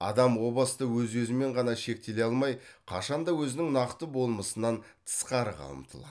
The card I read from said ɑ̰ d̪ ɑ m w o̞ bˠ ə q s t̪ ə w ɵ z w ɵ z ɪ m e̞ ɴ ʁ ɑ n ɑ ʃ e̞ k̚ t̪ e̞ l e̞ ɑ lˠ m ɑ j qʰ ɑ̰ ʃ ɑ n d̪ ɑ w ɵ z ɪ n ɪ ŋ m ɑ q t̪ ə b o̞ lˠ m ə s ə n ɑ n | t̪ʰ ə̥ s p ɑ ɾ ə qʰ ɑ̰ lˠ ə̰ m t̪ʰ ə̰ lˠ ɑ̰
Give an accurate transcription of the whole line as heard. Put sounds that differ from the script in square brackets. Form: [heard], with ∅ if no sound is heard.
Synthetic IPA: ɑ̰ d̪ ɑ m w o̞ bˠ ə [∅] s t̪ ə w ɵ z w ɵ z ɪ m e̞ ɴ ʁ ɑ n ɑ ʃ e̞ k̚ t̪ e̞ l e̞ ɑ lˠ m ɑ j qʰ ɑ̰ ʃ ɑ n d̪ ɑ w ɵ z ɪ n ɪ ŋ [n] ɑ q t̪ ə b o̞ lˠ m ə s ə n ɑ n | t̪ʰ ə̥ s [q] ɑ ɾ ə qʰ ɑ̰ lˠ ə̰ m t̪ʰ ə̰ lˠ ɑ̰